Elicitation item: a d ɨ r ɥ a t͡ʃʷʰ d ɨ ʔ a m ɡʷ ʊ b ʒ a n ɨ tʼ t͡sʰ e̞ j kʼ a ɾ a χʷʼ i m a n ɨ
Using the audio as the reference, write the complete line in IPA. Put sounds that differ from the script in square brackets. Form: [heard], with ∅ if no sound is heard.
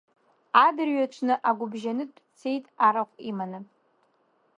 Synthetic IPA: a d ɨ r ɥ a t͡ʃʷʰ [n] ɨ ʔ a [∅] ɡʷ ʊ b ʒ a n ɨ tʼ t͡sʰ e̞ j [tʼ] a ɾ a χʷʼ i m a n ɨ